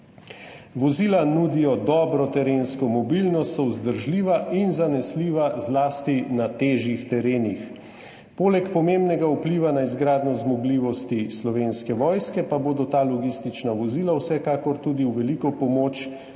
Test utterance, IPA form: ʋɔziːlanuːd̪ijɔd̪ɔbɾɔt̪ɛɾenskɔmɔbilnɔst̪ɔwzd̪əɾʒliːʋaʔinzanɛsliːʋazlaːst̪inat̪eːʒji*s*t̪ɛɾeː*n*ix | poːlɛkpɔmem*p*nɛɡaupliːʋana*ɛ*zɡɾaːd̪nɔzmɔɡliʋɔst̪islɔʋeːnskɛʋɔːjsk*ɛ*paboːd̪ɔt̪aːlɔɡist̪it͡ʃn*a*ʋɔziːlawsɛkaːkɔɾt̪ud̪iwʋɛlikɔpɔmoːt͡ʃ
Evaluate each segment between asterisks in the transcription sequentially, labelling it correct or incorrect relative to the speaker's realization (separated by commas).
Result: incorrect, correct, incorrect, incorrect, correct, correct